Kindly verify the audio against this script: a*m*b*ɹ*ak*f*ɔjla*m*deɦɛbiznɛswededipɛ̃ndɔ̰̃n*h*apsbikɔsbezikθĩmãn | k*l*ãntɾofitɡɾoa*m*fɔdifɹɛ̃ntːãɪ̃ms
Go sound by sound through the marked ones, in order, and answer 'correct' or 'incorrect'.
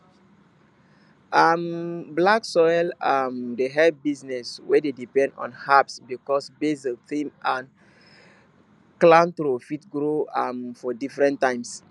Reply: correct, incorrect: l, incorrect: s, correct, correct, correct, correct

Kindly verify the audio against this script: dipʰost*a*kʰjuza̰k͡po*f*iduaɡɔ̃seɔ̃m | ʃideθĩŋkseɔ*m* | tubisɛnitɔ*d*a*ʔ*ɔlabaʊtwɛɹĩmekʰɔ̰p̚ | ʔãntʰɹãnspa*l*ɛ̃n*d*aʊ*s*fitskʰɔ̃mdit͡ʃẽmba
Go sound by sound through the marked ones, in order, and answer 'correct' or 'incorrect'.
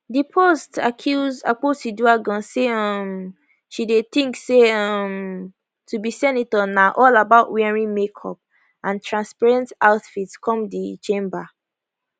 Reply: correct, incorrect: s, correct, incorrect: n, correct, incorrect: ɹ, incorrect: t, incorrect: t

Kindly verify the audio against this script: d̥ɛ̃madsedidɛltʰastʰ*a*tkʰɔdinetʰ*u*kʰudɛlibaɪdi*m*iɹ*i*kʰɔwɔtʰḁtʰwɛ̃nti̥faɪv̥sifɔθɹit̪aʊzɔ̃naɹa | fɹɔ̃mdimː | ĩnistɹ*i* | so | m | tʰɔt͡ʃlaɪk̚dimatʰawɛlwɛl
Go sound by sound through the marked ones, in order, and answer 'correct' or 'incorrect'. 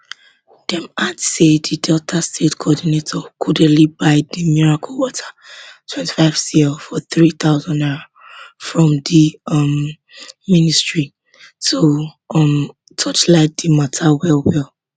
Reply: incorrect: e, incorrect: ɔ, correct, incorrect: a, correct

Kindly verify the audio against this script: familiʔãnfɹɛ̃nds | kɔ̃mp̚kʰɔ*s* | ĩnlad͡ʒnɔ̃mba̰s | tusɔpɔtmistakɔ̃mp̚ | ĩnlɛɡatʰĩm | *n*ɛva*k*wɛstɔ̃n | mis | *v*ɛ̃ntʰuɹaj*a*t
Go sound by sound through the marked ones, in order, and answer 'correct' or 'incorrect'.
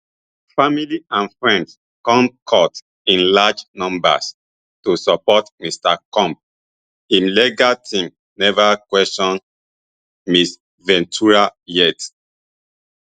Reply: incorrect: t, correct, correct, correct, incorrect: ɛ

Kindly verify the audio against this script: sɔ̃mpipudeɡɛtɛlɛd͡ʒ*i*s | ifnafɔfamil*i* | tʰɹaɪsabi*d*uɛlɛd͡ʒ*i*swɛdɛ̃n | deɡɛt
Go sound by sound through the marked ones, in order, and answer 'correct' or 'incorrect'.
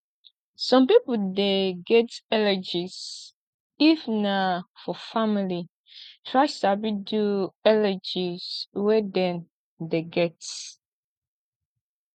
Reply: correct, correct, correct, correct

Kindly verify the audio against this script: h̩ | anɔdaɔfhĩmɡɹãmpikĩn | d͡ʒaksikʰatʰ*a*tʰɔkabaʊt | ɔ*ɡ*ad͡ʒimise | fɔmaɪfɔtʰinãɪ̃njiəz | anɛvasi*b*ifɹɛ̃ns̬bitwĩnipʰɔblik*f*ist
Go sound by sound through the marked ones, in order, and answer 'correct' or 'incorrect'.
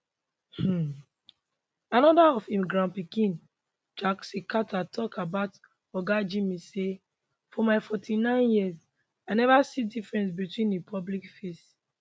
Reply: correct, correct, incorrect: d, correct

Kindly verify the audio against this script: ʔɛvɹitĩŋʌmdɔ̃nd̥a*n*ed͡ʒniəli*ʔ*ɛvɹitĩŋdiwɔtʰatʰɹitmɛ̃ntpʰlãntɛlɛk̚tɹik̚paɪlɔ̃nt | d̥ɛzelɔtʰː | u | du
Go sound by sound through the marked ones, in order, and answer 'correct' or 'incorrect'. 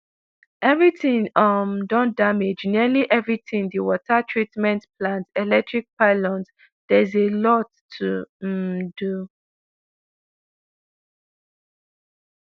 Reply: incorrect: m, correct

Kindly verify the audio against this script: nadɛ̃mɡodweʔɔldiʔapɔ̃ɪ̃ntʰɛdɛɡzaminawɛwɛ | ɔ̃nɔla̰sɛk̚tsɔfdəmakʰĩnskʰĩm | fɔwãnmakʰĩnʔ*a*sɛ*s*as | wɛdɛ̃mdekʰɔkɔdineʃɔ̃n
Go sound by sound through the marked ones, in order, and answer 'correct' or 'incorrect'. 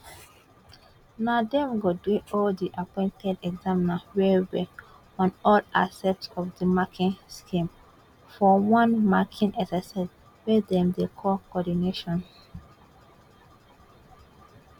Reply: incorrect: ɛ, correct

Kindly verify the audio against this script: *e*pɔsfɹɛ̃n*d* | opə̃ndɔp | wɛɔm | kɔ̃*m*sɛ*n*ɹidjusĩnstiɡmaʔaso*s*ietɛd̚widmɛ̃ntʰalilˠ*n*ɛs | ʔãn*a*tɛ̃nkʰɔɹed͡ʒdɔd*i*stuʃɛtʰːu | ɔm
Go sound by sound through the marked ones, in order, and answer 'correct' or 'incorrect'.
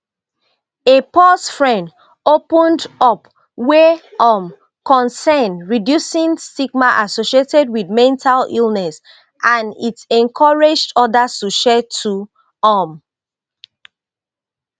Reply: correct, correct, incorrect: n, correct, incorrect: ʃ, correct, incorrect: i, incorrect: a

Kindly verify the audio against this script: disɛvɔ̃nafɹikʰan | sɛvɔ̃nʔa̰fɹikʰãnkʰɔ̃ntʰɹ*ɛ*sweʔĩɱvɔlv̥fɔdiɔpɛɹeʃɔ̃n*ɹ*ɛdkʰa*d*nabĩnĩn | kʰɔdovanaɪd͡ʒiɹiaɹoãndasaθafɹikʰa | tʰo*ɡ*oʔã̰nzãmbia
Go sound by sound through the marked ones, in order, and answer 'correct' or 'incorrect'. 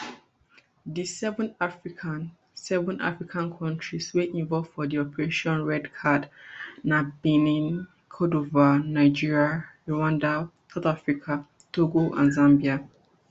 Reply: incorrect: i, correct, correct, correct

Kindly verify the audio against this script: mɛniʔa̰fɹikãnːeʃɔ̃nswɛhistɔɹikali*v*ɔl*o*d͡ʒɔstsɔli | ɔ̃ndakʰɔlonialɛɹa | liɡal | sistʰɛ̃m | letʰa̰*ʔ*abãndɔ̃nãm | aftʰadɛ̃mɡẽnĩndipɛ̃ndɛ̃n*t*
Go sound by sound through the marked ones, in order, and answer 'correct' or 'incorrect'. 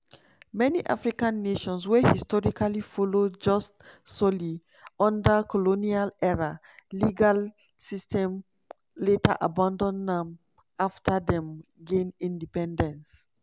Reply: incorrect: f, correct, correct, incorrect: s

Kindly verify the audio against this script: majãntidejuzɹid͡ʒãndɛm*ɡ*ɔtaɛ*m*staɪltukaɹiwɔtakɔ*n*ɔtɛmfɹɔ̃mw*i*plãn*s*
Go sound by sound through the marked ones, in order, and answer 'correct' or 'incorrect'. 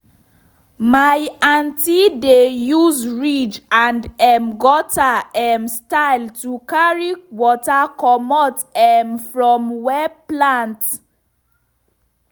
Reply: correct, correct, incorrect: m, incorrect: ɛ, incorrect: t

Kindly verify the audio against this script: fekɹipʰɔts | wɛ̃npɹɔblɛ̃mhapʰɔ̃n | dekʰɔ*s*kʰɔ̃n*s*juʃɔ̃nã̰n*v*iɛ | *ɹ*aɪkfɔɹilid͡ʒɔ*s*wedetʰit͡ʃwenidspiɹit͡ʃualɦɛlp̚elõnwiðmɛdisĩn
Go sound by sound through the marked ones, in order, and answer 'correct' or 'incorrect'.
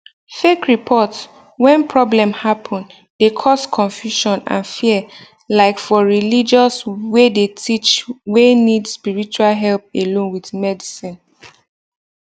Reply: correct, incorrect: f, incorrect: f, incorrect: l, correct

